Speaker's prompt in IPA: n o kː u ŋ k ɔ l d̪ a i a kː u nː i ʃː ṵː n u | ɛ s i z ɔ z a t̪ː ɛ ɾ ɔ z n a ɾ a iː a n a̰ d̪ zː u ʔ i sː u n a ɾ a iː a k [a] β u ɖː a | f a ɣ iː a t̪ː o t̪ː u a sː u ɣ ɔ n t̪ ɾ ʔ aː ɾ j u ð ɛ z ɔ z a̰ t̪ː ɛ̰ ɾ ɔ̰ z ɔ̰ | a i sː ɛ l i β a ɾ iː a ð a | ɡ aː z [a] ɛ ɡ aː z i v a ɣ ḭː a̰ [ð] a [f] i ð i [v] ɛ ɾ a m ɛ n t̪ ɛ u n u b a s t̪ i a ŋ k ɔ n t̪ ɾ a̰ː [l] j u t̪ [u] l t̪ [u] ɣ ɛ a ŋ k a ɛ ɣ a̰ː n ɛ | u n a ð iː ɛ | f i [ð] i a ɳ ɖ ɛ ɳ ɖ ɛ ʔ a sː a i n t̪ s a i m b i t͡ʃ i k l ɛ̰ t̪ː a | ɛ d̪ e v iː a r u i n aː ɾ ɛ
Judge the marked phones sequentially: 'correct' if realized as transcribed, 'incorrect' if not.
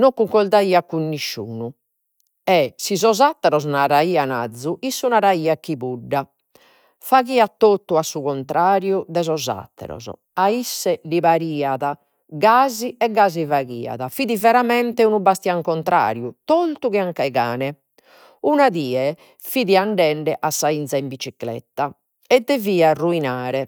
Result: incorrect, incorrect, correct, correct, correct, incorrect, incorrect, correct, correct

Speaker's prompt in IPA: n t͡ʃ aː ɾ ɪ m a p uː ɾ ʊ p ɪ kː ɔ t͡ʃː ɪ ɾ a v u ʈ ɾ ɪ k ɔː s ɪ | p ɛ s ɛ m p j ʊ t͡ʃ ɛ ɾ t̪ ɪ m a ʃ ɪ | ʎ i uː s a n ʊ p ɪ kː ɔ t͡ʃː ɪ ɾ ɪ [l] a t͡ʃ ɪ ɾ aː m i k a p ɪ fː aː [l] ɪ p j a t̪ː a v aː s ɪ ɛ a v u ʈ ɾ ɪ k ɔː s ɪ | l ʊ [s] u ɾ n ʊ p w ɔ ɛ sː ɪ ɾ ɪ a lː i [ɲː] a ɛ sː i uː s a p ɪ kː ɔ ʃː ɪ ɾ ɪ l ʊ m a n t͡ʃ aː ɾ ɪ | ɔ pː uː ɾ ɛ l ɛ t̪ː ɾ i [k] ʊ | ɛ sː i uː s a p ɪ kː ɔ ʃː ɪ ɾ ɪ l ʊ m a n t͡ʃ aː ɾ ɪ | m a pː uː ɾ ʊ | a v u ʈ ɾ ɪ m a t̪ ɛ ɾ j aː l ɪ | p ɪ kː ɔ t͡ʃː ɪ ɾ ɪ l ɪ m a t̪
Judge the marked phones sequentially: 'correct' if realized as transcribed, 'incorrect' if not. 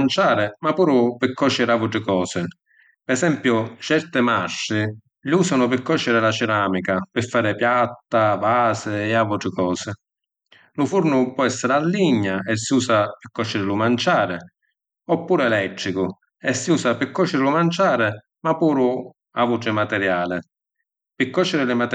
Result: correct, incorrect, incorrect, correct, correct

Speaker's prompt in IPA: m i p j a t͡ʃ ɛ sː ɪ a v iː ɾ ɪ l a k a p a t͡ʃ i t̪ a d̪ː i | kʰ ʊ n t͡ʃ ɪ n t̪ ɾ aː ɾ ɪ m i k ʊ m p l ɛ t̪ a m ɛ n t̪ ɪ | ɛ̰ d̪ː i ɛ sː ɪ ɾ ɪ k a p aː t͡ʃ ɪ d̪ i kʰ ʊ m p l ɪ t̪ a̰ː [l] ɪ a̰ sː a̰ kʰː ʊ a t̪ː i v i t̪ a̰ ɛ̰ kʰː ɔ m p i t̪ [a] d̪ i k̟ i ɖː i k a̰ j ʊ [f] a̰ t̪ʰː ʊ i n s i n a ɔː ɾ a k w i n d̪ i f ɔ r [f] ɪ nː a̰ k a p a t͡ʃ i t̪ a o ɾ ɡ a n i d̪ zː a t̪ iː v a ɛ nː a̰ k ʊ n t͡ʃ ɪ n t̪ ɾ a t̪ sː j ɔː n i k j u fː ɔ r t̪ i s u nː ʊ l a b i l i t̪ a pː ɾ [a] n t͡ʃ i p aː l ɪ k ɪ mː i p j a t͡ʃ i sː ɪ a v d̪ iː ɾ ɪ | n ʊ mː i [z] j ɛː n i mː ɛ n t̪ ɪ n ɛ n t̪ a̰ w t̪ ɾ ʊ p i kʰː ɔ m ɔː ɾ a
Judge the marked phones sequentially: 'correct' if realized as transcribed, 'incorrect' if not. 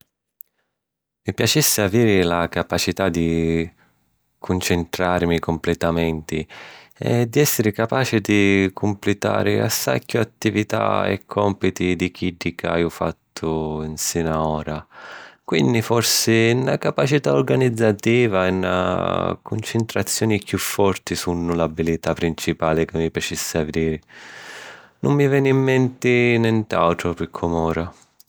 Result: incorrect, incorrect, correct, incorrect, incorrect, incorrect

